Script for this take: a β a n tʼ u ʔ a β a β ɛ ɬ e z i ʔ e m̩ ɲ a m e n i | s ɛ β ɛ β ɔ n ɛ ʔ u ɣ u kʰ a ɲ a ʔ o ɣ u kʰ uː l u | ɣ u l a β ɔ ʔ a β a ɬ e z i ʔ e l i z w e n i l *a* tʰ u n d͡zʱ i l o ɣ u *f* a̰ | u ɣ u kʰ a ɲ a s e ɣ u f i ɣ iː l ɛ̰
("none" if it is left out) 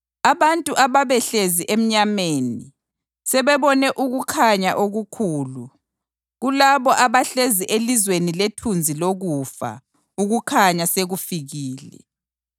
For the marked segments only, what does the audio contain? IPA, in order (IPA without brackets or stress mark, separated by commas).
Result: e, f